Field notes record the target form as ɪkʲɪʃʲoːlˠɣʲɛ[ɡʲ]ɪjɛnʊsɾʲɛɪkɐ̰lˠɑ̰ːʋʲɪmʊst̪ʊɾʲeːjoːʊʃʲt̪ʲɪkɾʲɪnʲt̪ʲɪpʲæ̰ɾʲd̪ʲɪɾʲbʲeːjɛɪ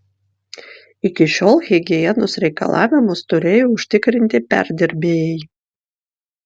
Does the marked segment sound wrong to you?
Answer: no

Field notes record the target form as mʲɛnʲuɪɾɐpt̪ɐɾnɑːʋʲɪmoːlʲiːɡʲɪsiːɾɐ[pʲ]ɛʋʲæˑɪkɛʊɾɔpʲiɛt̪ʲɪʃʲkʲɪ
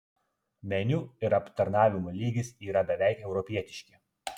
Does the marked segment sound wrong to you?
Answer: yes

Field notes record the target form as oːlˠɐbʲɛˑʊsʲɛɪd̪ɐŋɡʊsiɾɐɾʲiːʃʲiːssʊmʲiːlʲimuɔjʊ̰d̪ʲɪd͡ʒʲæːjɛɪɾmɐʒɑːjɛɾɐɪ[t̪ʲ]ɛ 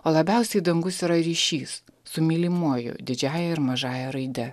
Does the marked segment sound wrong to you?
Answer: yes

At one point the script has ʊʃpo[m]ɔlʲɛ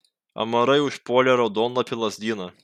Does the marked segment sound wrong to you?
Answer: yes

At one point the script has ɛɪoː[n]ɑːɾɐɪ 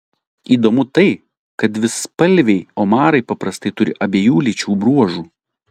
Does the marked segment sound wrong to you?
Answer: yes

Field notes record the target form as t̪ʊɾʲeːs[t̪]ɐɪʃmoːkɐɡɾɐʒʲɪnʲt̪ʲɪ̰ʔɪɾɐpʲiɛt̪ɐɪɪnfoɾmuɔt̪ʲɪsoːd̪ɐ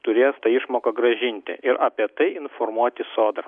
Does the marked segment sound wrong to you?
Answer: no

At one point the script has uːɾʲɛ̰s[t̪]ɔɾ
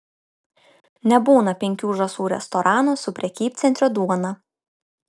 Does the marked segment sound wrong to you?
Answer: no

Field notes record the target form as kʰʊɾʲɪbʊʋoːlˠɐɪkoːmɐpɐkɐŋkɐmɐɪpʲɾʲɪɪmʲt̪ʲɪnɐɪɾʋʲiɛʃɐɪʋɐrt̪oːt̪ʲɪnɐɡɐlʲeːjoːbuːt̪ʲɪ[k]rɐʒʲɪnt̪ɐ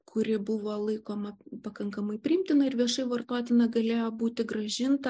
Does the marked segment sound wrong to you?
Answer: yes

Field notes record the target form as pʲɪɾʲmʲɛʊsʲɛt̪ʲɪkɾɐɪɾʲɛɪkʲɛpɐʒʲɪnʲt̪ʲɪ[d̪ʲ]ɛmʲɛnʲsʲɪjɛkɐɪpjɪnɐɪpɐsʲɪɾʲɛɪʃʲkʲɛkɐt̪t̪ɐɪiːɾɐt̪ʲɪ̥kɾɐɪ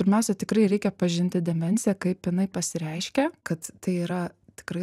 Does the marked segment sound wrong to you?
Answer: no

